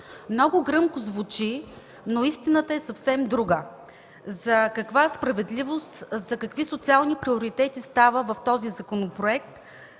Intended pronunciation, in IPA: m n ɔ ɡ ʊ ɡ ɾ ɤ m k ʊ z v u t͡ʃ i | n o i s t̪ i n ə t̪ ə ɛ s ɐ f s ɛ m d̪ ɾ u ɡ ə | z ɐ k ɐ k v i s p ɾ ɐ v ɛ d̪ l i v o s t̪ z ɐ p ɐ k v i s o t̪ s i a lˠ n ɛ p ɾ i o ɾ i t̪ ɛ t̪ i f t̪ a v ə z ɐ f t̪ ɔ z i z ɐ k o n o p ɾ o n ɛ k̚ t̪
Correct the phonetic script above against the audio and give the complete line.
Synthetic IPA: m n ɔ ɡ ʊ ɡ ɾ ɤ m k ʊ z v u t͡ʃ i | n o i s t̪ i n ə t̪ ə ɛ s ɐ f s ɛ m d̪ ɾ u ɡ ə | z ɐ k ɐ k v a s p ɾ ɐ v ɛ d̪ l i v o s t̪ z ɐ k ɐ k v i s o t̪ s i a lˠ n i p ɾ i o ɾ i t̪ ɛ t̪ i s t̪ a v ə v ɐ f t̪ ɔ z i z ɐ k o n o p ɾ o ɛ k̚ t̪